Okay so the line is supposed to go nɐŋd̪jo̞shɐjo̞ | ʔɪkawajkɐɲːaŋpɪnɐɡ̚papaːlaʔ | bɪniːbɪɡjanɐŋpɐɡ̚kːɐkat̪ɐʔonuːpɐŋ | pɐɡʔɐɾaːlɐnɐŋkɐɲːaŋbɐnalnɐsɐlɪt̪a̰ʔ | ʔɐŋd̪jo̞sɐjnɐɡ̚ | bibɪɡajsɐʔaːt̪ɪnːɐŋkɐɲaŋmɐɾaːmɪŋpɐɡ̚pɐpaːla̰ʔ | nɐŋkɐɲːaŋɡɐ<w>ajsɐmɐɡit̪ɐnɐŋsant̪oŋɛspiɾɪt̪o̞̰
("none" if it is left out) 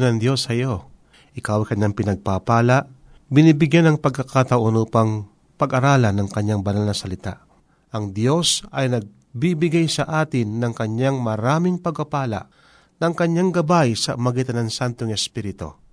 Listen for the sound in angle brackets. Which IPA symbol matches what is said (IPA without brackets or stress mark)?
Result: b